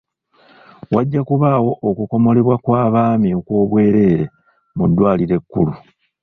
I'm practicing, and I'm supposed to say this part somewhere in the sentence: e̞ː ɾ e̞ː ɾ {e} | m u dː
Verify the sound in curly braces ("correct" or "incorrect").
correct